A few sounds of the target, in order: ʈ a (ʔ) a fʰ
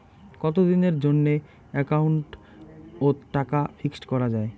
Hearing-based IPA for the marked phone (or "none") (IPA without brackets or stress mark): k